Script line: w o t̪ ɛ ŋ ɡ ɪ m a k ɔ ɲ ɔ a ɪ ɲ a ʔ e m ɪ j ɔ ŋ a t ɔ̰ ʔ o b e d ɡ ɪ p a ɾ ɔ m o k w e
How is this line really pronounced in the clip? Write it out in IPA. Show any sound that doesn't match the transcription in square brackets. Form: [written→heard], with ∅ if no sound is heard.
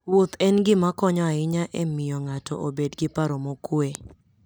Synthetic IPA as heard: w o t̪ ɛ [ŋ→n] ɡ ɪ m a k ɔ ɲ ɔ a ɪ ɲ a ʔ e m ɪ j ɔ ŋ a t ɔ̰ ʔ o b e d ɡ ɪ p a ɾ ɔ m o k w e